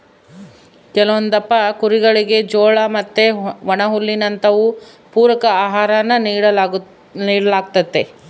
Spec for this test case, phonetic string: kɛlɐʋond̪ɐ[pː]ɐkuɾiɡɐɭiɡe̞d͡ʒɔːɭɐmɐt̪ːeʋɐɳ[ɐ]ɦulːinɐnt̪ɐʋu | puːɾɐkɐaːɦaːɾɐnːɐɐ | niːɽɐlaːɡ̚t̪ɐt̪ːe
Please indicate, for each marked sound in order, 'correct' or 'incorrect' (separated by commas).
correct, correct